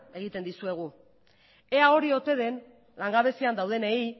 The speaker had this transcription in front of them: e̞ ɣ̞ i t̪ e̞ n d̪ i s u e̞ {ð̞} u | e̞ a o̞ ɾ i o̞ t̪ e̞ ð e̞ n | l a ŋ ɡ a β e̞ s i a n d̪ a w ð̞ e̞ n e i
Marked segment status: incorrect: ɣ̞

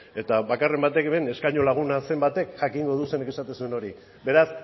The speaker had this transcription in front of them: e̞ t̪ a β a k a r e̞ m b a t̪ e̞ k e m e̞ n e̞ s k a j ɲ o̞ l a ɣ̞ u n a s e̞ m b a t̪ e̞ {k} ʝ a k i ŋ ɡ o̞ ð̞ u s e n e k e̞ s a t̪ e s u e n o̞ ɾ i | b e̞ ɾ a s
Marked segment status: correct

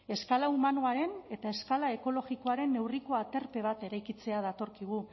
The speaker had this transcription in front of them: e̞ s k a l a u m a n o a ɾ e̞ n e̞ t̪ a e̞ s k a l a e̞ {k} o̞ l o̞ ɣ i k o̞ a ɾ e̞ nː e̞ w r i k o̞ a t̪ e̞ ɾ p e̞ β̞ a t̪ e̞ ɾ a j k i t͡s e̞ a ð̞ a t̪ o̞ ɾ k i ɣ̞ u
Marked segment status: correct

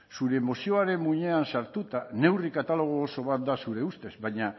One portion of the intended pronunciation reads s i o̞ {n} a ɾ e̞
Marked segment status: incorrect: none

